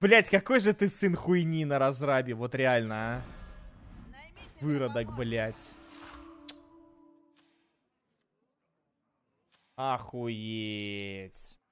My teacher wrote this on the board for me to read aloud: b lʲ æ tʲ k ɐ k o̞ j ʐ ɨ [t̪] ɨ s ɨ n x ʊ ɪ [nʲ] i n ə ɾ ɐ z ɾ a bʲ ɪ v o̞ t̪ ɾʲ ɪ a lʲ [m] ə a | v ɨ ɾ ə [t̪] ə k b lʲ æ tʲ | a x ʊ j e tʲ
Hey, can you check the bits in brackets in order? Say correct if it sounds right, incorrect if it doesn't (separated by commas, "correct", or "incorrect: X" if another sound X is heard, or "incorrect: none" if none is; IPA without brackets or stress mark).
correct, correct, incorrect: n, incorrect: d̪